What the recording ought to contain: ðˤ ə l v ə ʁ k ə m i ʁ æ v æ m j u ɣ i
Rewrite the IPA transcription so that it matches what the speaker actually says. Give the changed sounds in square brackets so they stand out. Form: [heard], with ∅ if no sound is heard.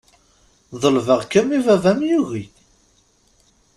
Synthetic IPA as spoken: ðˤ ə l v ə ʁ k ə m i [v] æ v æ m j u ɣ i